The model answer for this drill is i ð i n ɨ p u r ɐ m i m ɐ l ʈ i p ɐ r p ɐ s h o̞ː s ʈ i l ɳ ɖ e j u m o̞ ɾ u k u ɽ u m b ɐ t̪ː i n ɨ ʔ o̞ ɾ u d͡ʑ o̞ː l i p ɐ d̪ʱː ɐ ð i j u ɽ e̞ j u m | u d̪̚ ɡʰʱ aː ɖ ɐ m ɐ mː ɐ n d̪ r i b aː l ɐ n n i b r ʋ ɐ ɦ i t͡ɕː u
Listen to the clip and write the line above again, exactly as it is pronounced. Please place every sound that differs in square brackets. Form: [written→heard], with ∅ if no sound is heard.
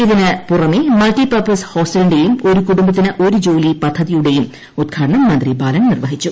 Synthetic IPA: i ð i n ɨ p u r ɐ m i m ɐ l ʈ i p ɐ r p ɐ s h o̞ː s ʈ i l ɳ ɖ e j u m o̞ ɾ u k u ɽ u m b ɐ t̪ː i n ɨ ʔ o̞ ɾ u d͡ʑ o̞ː l i p ɐ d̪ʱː ɐ ð i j u ɽ e̞ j u m | u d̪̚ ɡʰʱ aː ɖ ɐ [m→ɳ] ɐ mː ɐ n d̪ r i b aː l ɐ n n i [b→∅] r ʋ ɐ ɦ i t͡ɕː u